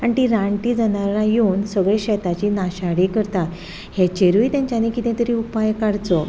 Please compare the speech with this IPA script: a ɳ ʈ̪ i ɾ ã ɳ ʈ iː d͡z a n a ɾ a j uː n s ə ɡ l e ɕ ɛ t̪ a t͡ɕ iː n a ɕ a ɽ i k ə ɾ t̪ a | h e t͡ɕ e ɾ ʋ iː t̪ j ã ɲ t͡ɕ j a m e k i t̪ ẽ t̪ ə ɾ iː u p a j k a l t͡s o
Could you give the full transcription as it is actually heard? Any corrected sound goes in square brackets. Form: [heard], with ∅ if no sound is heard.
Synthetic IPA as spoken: a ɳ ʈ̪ i ɾ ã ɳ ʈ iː d͡z a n a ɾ a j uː n s ə ɡ [ɭ] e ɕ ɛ t̪ a t͡ɕ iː n a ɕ a ɽ i k ə ɾ t̪ a | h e t͡ɕ e ɾ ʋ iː t̪ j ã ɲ t͡ɕ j a [n] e k i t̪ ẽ t̪ ə ɾ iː u p a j k a [ɽ] t͡s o